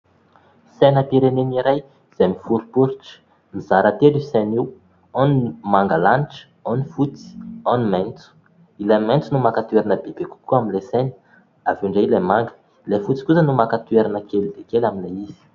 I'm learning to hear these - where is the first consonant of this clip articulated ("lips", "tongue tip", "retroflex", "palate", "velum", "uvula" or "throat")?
tongue tip